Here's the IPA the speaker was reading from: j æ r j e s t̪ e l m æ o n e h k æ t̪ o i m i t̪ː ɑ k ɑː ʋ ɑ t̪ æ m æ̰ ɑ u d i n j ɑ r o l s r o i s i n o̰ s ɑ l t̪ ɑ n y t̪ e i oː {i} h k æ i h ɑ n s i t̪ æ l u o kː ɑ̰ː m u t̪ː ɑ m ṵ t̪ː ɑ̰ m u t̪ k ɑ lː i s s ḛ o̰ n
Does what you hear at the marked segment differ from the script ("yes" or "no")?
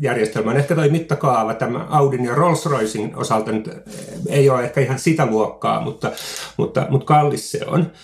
yes